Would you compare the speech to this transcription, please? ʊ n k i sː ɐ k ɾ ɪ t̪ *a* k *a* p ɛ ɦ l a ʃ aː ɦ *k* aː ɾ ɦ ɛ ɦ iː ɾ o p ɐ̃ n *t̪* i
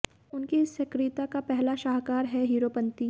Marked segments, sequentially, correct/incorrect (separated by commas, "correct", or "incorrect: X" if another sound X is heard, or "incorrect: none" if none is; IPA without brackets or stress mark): correct, correct, correct, correct